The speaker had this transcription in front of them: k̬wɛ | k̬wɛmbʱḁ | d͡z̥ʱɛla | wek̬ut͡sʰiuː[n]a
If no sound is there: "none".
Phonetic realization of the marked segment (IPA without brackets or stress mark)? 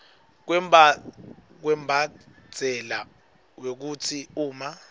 m